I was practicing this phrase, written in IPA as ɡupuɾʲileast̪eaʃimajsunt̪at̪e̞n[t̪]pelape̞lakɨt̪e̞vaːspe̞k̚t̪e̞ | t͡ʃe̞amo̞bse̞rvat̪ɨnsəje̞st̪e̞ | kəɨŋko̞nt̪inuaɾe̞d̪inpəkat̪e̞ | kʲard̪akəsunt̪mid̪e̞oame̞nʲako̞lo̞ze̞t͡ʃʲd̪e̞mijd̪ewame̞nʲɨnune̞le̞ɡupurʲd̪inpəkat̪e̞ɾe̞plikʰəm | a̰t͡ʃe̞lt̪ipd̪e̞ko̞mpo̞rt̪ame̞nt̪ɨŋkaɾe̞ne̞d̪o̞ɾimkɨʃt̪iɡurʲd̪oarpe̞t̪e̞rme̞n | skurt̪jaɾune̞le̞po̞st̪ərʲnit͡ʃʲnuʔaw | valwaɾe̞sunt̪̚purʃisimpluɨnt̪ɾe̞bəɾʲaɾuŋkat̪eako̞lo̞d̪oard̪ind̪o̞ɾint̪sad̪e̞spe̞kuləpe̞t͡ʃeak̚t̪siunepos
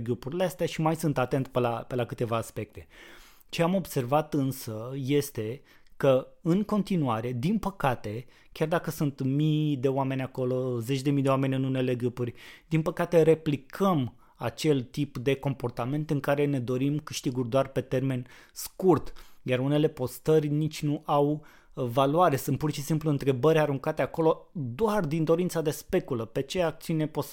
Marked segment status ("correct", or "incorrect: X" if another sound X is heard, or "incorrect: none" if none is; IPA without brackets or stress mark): correct